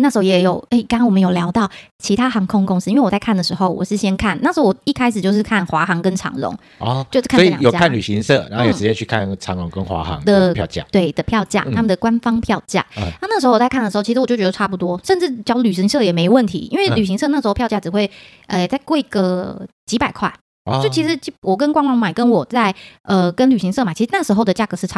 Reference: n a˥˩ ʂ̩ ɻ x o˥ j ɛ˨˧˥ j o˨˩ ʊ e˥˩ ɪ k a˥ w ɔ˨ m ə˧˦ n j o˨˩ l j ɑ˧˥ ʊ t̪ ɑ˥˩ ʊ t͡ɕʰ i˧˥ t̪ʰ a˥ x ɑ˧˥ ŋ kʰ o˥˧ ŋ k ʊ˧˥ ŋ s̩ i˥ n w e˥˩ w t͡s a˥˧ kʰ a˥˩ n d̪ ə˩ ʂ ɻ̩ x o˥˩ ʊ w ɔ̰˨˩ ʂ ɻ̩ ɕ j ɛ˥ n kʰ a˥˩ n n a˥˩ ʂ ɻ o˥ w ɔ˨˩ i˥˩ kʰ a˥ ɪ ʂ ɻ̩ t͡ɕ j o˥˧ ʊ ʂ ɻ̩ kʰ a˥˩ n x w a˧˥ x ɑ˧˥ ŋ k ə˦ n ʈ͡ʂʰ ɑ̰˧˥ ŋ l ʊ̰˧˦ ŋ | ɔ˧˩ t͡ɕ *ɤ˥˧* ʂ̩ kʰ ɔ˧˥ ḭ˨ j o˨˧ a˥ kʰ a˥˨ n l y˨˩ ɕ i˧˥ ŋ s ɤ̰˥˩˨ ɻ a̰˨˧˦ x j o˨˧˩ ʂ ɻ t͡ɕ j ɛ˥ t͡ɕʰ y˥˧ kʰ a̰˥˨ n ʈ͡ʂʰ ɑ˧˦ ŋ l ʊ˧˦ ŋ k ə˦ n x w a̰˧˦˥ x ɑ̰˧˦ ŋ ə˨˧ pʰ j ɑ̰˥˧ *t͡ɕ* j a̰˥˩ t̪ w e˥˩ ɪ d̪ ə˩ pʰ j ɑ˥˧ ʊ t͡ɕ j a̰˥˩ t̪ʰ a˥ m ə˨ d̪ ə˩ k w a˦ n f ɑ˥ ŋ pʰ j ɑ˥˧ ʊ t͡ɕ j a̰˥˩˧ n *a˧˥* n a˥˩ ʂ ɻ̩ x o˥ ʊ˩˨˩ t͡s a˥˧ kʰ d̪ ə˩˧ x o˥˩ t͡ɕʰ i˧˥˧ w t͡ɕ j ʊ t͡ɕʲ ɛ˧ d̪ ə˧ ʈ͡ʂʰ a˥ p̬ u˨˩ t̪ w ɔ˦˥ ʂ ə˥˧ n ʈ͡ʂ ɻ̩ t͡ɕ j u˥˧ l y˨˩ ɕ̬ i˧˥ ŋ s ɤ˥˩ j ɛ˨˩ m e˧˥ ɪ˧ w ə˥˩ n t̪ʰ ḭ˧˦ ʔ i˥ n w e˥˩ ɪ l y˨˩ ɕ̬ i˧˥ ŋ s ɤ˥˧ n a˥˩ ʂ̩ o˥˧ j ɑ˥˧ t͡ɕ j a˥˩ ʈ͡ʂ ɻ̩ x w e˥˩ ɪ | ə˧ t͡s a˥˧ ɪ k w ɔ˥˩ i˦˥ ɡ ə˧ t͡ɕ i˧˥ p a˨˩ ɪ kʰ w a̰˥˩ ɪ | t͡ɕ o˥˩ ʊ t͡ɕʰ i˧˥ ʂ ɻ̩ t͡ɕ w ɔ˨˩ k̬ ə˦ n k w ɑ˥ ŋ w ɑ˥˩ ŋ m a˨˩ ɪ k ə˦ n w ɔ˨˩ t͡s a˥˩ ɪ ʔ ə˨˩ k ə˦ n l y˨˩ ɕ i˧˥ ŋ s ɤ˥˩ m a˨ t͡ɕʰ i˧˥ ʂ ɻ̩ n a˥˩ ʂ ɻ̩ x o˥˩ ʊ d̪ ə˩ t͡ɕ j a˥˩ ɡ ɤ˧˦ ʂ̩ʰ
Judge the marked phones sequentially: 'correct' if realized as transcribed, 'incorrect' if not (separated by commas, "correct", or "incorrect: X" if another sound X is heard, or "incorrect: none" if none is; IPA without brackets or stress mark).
incorrect: o˥˧, correct, incorrect: a˥˧